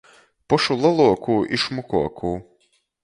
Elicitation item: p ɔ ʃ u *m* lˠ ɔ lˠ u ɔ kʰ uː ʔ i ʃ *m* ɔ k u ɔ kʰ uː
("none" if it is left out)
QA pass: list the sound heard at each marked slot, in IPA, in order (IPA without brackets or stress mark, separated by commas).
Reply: none, m